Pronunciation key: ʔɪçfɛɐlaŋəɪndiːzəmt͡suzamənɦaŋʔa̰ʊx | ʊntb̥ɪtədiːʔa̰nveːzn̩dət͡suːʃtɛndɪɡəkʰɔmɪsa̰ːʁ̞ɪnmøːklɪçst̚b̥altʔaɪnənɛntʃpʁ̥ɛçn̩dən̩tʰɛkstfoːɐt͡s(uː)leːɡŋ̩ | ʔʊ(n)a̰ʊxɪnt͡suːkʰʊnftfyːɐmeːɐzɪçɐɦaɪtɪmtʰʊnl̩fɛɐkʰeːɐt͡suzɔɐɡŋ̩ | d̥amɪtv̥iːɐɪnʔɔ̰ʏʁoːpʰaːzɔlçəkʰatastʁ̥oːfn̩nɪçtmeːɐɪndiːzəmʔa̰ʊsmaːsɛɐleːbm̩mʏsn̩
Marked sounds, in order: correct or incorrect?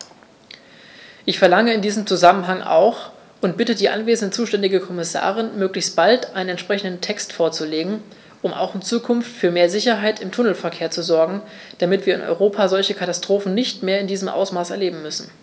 incorrect: u, incorrect: m

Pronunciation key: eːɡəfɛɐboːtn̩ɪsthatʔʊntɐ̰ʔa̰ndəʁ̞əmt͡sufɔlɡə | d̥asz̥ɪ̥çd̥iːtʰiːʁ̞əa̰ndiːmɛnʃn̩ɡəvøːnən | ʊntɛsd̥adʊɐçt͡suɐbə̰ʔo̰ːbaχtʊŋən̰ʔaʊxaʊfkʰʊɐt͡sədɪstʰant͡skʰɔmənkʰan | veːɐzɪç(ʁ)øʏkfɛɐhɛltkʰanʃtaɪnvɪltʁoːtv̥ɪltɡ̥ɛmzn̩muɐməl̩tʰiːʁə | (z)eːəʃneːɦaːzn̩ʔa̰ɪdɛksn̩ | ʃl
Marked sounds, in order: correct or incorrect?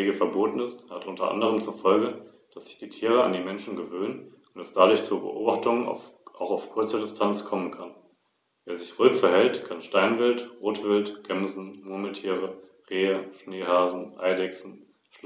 correct, incorrect: ʁ

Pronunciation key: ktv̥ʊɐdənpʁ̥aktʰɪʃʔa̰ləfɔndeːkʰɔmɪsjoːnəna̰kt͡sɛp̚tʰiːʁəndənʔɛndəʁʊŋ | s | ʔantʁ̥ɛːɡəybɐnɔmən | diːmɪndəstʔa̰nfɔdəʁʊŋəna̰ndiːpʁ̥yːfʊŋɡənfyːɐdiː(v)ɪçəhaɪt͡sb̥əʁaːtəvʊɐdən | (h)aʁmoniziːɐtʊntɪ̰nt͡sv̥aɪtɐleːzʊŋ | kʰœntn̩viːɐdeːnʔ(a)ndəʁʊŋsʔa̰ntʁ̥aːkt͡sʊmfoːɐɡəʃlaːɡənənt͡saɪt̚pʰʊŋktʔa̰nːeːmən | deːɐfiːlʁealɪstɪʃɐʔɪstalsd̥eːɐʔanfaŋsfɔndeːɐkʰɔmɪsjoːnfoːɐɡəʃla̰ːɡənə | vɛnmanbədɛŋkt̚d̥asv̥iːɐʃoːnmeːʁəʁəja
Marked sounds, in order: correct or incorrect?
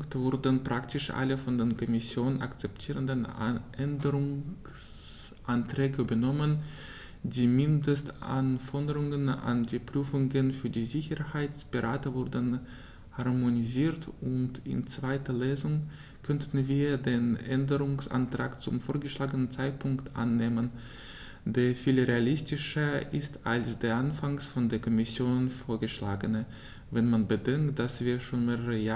incorrect: z, correct, incorrect: ɛ

